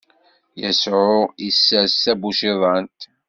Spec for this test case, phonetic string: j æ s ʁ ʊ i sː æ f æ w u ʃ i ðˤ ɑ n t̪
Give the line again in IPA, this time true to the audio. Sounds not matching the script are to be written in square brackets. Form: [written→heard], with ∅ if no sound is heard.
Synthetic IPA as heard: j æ s [ʁ→ʕ] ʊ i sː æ [f→s] æ [w→b] u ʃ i ðˤ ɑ n t̪

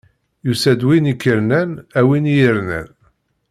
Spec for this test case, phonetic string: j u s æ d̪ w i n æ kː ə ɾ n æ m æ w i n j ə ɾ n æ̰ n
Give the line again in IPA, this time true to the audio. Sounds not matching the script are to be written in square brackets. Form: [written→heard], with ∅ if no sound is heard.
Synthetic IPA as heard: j u s æ d̪ w i n [æ→i] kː ə ɾ n æ [m→n] æ w i n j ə ɾ n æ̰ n

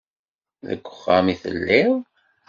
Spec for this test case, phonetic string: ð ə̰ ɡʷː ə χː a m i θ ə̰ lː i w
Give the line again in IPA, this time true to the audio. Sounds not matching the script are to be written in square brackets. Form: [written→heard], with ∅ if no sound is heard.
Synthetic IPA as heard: ð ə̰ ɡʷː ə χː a m i θ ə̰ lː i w

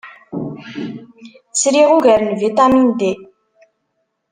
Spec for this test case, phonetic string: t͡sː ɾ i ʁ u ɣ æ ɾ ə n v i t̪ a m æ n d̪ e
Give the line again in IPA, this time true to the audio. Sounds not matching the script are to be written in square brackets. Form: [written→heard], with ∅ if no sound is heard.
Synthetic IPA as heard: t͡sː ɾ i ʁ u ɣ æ ɾ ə n v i t̪ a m [æ→i] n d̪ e

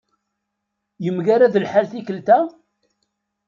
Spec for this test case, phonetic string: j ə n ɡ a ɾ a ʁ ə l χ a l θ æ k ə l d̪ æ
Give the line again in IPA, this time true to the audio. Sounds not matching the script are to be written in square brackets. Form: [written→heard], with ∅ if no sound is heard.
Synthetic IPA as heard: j ə [n→m] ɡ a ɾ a [ʁ→ð] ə l [χ→ħ] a l θ [æ→i] k ə l [d̪→t̪] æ

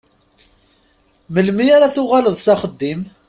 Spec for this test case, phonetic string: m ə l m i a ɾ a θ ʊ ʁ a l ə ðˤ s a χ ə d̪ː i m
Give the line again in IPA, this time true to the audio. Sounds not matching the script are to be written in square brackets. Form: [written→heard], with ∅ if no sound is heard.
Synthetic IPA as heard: m ə l m i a ɾ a θ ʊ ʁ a l ə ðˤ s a χ ə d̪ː i m

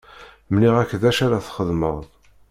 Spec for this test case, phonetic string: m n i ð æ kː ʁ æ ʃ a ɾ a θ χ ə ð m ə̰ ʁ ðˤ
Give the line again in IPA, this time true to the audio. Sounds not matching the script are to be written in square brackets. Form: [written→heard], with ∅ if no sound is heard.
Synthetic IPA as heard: m n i [ð→ʁ] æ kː [ʁ→ð] æ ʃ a ɾ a θ χ ə ð m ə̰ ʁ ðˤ

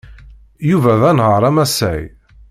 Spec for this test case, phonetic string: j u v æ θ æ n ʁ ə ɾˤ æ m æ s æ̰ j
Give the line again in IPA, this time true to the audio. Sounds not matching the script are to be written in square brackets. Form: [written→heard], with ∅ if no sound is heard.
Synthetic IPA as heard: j u v æ [θ→ð] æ n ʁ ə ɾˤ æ m æ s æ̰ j

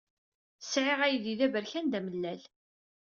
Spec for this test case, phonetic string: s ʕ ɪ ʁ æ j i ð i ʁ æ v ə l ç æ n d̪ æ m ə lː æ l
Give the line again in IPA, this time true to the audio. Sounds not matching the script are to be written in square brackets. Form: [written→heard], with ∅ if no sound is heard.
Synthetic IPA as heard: s ʕ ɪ ʁ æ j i ð i [ʁ→ð] æ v ə [l→ɾ] ç æ n d̪ æ m ə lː æ l

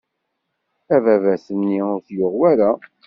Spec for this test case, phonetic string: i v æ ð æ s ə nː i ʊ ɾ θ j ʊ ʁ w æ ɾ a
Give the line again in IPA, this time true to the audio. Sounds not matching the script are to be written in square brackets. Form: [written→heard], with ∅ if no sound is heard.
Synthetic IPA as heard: [i→æ] v æ [ð→v] æ s ə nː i ʊ ɾ θ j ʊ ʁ w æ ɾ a

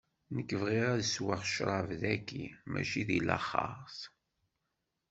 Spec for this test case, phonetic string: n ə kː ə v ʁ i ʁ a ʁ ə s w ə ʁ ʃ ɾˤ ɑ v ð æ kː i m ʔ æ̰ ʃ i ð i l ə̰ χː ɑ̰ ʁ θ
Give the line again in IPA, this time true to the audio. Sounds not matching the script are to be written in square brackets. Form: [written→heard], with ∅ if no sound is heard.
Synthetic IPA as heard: n ə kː ə v ʁ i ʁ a [ʁ→ð] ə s w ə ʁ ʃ ɾˤ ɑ v ð æ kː i m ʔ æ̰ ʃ i ð i l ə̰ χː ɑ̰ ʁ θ

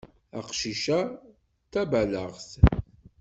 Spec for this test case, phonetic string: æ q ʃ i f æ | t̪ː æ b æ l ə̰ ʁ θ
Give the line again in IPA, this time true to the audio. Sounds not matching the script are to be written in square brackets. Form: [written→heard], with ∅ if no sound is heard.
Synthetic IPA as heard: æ q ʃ i [f→ʃ] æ | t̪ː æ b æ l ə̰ ʁ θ

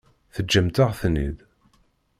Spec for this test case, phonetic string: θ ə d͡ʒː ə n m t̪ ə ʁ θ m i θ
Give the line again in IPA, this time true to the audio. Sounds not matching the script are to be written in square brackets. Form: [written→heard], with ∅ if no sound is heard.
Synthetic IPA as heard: θ ə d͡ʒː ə [n→∅] m t̪ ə ʁ θ [m→n] i [θ→ð]

